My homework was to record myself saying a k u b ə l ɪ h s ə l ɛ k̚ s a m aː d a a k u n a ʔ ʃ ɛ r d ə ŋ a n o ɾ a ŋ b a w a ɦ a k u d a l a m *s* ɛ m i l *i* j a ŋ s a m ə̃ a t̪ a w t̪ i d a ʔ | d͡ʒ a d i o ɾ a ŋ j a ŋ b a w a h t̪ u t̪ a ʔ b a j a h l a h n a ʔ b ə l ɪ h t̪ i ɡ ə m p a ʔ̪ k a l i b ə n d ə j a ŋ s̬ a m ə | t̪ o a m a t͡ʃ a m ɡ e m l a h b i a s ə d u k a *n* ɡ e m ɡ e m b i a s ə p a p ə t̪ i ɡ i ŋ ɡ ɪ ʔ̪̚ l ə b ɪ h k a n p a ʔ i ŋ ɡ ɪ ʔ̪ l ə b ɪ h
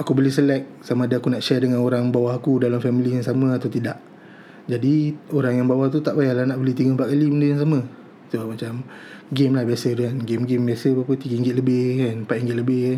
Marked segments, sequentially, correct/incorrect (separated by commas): incorrect, correct, correct